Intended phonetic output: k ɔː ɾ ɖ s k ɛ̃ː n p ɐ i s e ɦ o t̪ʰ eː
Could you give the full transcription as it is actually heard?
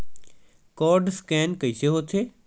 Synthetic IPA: k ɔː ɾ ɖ s k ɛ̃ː n k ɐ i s e ɦ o t̪ʰ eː

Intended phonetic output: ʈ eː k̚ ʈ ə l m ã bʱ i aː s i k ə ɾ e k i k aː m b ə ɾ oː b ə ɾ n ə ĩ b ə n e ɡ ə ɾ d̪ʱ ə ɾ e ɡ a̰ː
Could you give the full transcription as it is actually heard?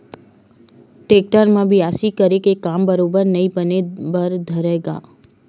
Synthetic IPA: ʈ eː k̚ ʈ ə ɾ m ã bʱ i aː s i k ə ɾ e k e k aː m b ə ɾ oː b ə ɾ n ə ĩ b ə n e b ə ɾ d̪ʱ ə ɾ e ɡ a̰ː

